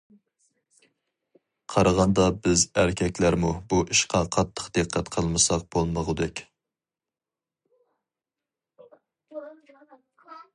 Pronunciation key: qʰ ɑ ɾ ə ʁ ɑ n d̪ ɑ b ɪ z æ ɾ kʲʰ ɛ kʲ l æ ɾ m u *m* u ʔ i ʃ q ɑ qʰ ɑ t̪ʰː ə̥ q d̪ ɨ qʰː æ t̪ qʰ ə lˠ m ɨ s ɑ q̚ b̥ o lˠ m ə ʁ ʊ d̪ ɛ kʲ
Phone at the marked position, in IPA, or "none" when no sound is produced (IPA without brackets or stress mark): b